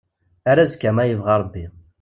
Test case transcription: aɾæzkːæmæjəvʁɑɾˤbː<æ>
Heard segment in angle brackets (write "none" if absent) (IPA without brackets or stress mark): i